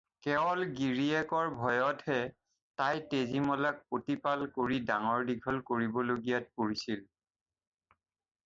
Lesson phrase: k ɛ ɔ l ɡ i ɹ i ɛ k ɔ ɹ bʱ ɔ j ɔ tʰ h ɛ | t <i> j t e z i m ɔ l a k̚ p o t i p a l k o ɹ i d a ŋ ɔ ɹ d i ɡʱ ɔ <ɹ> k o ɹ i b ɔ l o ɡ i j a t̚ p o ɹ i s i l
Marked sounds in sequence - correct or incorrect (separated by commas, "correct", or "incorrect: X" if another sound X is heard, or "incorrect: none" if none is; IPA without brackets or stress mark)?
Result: incorrect: a, incorrect: l